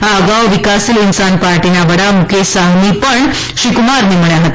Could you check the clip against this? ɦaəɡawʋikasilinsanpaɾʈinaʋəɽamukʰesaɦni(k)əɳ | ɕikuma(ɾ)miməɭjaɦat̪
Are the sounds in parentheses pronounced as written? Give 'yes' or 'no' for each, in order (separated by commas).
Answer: no, yes